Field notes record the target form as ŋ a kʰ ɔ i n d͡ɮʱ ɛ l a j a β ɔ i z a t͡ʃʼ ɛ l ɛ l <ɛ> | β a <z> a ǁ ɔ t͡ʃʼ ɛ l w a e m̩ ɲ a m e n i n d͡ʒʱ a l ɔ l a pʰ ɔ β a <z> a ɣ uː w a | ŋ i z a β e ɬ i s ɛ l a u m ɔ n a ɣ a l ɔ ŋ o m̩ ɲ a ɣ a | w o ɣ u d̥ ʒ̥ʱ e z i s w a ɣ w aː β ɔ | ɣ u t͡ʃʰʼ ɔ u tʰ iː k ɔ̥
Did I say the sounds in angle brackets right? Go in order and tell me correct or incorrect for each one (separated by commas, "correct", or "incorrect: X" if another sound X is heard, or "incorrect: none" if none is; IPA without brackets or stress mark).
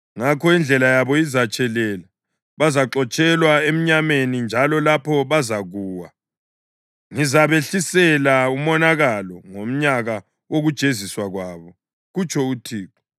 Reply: incorrect: a, correct, correct